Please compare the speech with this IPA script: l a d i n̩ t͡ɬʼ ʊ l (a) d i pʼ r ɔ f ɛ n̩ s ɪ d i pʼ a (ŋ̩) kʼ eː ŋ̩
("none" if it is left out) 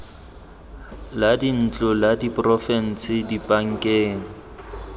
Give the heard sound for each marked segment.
a, ŋ̩

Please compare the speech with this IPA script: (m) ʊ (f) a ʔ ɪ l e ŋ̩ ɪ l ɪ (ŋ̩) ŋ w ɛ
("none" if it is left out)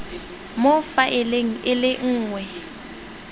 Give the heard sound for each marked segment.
m, f, ŋ̩ː

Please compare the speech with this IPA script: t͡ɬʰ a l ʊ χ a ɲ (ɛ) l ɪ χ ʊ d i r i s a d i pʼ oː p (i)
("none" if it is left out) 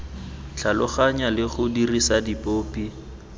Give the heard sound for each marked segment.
a, i

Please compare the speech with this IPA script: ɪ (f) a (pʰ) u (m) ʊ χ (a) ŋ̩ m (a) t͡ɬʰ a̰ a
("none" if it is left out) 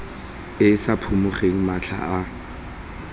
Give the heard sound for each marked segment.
s, pʰ, m, e, a

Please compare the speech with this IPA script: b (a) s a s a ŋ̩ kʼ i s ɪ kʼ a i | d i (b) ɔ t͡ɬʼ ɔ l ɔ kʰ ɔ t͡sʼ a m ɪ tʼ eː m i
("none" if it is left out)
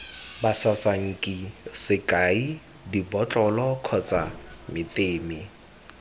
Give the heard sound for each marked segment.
a, b

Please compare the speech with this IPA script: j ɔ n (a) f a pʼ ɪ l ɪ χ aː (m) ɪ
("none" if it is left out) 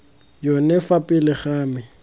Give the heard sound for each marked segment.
ɛ, m

